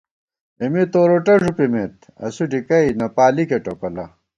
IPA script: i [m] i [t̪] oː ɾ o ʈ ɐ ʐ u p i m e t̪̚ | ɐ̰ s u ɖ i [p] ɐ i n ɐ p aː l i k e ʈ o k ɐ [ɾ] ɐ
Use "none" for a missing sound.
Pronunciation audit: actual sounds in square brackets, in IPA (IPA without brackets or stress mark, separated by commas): m, t̪, k, l